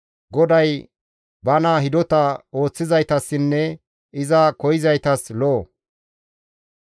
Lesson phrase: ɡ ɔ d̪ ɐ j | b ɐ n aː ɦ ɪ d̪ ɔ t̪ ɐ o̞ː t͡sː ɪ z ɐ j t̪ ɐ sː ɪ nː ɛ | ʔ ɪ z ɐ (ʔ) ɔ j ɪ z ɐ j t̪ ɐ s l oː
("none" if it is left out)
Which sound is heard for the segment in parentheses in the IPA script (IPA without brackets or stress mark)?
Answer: k